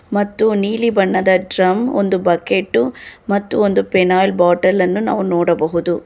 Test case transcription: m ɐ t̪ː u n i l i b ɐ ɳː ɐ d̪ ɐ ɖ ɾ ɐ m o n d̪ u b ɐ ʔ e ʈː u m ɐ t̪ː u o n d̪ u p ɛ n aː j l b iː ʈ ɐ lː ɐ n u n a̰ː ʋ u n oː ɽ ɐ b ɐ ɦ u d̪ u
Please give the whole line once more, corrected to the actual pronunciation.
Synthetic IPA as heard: m ɐ t̪ː u n iː l i b ɐ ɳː ɐ d̪ ɐ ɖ ɾ ɐ m o n d̪ u b ɐ k e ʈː u m ɐ t̪ː u o n d̪ u p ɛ n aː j l b aː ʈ ɐ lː ɐ nː u n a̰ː ʋ u n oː ɽ ɐ b ɐ ɦ u d̪ u